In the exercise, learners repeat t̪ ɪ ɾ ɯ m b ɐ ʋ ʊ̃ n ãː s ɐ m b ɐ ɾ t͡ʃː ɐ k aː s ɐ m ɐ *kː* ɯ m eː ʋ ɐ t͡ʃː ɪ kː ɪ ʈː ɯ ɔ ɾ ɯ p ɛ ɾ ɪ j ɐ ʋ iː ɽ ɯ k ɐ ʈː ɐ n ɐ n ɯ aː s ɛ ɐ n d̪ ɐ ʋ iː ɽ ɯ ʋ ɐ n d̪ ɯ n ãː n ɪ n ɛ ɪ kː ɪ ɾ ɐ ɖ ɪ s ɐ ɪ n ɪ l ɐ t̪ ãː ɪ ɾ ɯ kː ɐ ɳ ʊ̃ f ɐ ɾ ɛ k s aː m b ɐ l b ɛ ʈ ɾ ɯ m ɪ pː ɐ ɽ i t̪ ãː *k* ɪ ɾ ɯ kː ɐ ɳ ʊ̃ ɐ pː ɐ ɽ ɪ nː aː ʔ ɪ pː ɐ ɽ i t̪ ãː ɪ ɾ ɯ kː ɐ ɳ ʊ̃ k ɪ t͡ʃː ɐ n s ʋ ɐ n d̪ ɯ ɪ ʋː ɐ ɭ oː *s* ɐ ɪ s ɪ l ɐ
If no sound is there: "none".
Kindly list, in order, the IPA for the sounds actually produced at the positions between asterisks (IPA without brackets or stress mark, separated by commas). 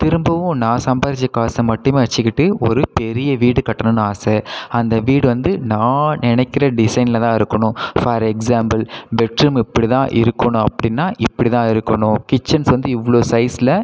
ʈː, ʔ, s